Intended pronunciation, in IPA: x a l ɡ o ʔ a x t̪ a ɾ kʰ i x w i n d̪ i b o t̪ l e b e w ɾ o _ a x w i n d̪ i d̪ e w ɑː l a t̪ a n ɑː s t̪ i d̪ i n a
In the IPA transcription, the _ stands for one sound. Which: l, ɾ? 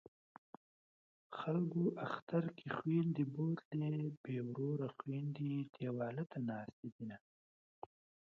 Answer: ɾ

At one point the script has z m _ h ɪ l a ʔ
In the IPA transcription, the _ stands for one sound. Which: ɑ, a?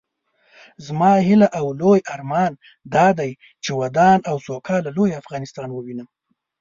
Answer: ɑ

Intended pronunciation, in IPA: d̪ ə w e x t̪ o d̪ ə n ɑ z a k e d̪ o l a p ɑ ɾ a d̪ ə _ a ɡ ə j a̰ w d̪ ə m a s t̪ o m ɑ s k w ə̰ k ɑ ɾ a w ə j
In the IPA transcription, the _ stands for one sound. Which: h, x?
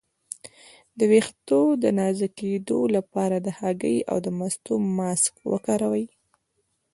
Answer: h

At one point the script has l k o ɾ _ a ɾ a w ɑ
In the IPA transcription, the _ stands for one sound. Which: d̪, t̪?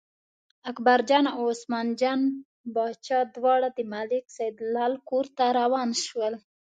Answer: t̪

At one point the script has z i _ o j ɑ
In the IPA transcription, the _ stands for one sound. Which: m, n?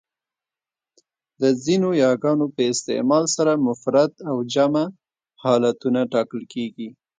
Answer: n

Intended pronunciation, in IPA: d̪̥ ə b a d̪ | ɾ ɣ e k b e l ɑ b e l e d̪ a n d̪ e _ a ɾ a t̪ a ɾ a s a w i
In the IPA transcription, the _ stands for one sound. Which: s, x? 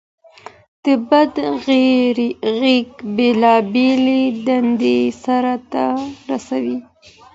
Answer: s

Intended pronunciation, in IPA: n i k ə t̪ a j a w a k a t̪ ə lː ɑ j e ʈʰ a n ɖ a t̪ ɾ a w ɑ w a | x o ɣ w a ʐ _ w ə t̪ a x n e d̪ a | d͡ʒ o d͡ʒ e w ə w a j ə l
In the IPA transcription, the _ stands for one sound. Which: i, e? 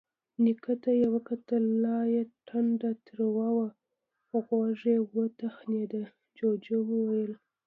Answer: e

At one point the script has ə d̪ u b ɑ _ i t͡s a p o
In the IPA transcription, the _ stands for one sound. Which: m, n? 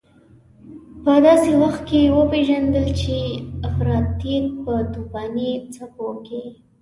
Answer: n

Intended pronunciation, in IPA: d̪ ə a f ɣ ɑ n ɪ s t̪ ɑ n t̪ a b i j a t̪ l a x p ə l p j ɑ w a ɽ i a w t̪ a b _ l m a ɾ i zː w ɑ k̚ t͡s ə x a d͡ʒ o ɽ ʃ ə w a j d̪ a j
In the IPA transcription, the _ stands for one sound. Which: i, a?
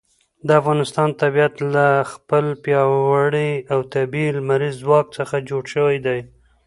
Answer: i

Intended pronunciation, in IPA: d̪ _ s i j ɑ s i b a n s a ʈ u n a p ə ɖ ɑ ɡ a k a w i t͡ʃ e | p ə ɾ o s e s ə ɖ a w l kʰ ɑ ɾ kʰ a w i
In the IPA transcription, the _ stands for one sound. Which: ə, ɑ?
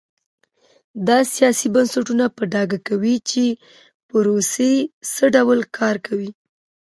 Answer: ɑ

